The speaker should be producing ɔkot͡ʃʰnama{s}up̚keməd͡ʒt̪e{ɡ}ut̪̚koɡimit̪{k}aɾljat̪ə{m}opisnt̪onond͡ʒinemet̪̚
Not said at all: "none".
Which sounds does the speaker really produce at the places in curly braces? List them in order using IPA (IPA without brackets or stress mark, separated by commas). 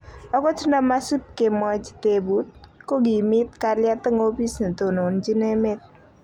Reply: s, b, k, ŋ